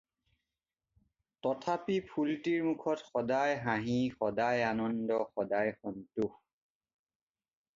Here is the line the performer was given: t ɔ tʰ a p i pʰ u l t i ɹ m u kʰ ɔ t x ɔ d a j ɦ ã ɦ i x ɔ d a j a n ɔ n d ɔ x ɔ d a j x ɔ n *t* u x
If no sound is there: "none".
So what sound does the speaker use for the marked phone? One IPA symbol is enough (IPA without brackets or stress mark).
t